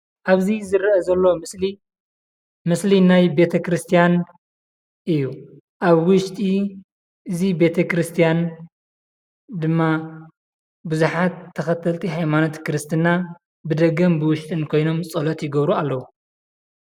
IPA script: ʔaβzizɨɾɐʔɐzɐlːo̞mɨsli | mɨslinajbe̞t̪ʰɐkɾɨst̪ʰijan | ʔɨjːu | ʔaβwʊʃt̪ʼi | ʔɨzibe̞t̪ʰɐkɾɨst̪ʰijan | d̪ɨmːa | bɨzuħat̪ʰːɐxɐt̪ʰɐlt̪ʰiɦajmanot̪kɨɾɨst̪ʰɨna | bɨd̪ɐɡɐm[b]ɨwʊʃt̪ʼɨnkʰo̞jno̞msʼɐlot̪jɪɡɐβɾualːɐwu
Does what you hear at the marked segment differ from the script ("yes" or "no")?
no